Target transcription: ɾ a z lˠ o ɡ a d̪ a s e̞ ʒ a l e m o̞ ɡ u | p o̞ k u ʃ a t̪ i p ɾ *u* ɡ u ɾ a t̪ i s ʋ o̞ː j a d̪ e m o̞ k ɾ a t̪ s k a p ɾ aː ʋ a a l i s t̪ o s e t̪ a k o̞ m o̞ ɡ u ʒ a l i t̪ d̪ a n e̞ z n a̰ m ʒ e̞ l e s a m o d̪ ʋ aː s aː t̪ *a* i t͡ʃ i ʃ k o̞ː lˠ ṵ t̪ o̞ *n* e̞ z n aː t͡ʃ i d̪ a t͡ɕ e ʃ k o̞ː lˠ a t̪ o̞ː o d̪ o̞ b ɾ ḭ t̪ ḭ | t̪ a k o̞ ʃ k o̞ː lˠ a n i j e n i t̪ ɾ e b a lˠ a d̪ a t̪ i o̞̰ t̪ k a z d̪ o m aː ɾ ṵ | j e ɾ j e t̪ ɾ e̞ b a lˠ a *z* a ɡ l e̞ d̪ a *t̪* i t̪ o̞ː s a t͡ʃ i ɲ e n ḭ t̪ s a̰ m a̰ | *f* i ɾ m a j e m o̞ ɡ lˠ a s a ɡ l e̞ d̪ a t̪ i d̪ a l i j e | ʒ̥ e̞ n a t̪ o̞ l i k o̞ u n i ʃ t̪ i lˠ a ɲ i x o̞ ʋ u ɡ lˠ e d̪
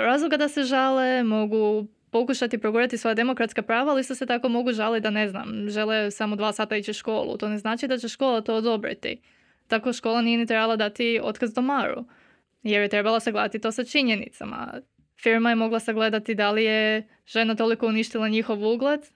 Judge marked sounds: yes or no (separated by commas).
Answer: no, yes, yes, no, yes, yes